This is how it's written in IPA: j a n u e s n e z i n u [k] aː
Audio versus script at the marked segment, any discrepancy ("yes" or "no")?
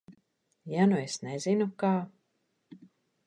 no